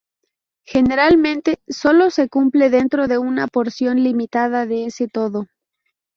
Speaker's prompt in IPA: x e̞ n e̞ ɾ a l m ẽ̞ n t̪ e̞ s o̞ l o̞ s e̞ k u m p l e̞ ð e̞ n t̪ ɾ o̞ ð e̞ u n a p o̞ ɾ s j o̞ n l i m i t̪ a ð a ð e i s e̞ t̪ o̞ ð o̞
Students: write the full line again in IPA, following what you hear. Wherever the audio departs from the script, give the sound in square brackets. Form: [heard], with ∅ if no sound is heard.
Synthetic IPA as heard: x e̞ n e̞ ɾ a l m ẽ̞ n t̪ e̞ s o̞ l o̞ s e̞ k u m p l e̞ ð e̞ n t̪ ɾ o̞ ð e̞ u n a p o̞ ɾ s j o̞ n l i m i t̪ a ð a ð e [e] s e̞ t̪ o̞ ð o̞